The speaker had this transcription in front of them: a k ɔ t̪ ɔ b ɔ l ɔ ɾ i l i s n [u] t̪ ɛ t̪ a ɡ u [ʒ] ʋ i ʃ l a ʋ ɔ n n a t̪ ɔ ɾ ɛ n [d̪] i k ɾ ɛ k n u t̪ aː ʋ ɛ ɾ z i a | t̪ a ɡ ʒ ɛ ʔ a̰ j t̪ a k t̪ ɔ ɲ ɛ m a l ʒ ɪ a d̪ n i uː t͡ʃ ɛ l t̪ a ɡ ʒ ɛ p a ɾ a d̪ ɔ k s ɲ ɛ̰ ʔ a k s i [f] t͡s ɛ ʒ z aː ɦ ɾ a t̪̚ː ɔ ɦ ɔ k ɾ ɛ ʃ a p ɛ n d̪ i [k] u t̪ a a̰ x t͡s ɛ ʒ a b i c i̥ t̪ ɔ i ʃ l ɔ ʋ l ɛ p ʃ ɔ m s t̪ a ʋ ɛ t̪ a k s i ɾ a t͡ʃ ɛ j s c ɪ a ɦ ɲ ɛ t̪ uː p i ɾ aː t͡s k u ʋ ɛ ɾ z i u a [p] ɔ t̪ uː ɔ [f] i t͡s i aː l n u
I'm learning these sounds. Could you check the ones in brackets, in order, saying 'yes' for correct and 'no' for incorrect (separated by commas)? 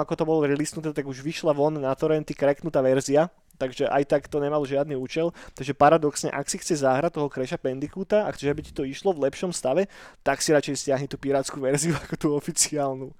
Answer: yes, yes, no, no, yes, no, yes